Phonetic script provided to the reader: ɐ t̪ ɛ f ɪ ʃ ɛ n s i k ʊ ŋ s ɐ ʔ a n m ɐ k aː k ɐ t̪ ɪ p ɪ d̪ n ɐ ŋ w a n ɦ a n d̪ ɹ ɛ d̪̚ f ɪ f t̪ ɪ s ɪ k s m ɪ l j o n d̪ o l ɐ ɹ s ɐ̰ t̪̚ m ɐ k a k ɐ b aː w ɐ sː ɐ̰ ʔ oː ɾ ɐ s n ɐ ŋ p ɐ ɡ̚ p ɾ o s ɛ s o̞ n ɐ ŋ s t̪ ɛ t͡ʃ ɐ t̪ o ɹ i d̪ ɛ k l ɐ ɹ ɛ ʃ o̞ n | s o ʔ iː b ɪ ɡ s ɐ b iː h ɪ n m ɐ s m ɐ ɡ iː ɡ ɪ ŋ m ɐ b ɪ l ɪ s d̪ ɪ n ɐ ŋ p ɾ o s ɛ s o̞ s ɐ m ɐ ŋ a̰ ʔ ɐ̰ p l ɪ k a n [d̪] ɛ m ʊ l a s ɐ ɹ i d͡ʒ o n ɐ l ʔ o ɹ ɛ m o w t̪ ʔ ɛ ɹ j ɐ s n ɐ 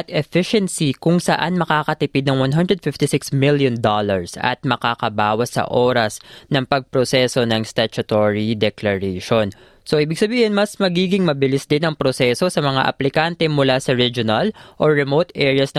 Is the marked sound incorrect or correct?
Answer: incorrect